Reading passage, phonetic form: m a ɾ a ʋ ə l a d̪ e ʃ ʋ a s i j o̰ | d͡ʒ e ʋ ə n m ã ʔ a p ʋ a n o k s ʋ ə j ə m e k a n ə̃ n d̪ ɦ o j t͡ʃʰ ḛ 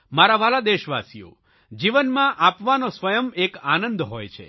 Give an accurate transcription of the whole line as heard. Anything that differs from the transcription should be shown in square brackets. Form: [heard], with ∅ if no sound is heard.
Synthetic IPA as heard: m a ɾ a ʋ [a] l a d̪ e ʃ ʋ a s i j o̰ | d͡ʒ [i] ʋ ə n m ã ʔ a p ʋ a n o [∅] s ʋ ə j ə m e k a n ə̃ n d̪ ɦ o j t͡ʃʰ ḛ